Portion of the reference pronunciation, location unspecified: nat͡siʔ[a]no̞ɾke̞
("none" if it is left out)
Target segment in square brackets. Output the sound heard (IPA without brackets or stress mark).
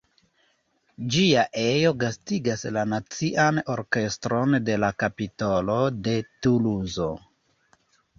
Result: a